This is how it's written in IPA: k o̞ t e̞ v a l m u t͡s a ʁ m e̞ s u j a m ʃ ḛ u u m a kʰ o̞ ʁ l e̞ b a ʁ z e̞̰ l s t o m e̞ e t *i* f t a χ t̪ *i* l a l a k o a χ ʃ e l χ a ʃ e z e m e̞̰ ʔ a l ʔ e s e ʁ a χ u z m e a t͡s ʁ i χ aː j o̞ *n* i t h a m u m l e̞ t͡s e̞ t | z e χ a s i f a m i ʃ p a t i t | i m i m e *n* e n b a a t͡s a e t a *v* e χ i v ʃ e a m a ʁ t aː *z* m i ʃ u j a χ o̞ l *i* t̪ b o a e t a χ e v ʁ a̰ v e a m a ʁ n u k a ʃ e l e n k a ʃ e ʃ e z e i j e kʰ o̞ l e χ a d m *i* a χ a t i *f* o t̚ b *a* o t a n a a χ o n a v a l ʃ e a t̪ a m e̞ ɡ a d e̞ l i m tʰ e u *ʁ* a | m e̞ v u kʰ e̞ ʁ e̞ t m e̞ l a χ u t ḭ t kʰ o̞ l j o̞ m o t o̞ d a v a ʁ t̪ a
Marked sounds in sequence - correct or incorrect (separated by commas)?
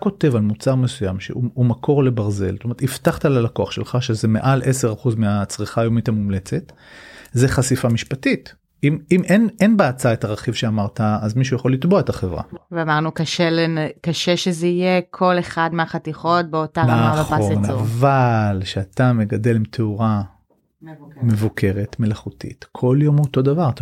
correct, incorrect, incorrect, correct, incorrect, correct, correct, incorrect, incorrect, incorrect, correct